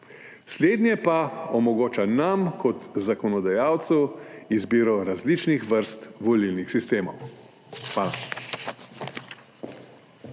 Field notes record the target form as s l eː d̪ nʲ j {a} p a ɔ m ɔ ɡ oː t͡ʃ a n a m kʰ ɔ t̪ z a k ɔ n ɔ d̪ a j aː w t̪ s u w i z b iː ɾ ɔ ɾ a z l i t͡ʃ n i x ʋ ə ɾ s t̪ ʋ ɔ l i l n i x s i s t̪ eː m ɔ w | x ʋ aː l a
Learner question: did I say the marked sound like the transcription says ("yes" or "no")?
no